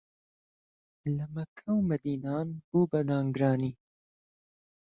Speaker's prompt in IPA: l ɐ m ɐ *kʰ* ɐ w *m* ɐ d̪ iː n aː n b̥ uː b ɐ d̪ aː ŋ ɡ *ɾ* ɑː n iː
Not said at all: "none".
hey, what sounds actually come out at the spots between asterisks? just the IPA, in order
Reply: kʰ, m, ɾ

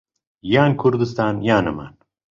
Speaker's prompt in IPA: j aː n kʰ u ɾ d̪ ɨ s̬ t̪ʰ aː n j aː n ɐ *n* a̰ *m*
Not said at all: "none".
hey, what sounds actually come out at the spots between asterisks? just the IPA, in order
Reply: m, n

